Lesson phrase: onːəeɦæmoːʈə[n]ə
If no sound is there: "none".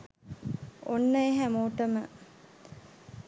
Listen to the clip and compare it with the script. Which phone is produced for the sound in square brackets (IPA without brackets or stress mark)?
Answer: m